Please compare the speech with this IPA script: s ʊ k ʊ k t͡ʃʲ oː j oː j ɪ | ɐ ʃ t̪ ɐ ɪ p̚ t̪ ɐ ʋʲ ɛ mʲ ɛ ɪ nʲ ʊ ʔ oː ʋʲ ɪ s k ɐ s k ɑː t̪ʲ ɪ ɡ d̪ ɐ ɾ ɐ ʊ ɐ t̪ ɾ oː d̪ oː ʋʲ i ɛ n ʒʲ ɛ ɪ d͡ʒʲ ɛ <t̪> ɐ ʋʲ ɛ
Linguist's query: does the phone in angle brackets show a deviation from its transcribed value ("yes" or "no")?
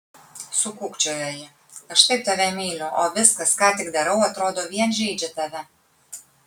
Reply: no